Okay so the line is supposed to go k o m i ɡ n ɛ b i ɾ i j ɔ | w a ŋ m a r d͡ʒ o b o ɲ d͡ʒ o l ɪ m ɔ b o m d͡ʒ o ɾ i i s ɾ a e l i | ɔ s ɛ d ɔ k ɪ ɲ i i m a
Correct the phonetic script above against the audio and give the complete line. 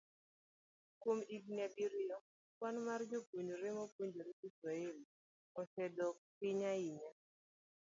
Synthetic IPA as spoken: k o m i ɡ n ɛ b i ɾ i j ɔ | w a n m a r d͡ʒ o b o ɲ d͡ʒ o ɾ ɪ m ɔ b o ɲ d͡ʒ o ɾ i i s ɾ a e l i | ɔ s ɛ d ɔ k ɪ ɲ a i ɲ a